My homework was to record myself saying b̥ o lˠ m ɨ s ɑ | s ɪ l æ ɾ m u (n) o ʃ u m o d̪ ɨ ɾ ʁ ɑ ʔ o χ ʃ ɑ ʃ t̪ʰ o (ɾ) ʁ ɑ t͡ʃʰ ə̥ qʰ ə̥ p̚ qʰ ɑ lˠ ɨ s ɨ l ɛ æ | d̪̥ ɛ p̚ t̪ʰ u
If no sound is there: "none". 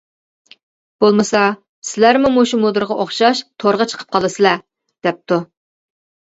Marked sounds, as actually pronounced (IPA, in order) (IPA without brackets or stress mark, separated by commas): m, ɾ